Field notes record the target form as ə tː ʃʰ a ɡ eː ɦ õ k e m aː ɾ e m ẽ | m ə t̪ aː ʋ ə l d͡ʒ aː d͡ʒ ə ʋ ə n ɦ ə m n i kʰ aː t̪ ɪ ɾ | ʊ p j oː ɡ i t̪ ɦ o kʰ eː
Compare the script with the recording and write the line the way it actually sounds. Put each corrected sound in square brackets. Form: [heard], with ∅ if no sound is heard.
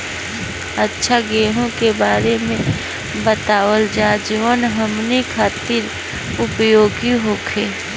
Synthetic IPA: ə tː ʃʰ a ɡ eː ɦ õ k e [b] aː ɾ e m ẽ | [b] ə t̪ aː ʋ ə l d͡ʒ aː d͡ʒ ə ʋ ə n ɦ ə m n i kʰ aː t̪ ɪ ɾ | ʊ p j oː ɡ i [∅] ɦ o kʰ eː